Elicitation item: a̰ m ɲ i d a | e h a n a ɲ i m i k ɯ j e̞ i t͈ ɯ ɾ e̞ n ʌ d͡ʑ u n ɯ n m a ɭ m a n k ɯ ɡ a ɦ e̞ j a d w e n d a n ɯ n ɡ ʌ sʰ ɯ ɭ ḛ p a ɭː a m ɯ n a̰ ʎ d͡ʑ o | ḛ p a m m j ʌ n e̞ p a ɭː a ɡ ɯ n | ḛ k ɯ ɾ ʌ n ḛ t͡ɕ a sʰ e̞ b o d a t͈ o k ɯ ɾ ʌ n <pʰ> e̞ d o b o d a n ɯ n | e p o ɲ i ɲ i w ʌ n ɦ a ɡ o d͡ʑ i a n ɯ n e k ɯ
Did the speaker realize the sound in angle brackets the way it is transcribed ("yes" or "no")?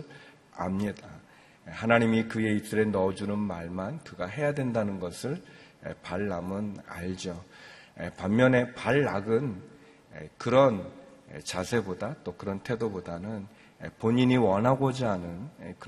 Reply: no